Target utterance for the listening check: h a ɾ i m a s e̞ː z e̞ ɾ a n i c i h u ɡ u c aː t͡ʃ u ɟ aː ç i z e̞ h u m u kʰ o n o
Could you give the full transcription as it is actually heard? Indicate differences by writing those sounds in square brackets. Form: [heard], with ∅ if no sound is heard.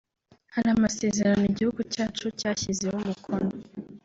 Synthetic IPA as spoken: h a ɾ [a] m a s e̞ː z e̞ ɾ a n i [ɟ] i h u ɡ u c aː t͡ʃ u [c] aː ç i z e̞ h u m u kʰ o n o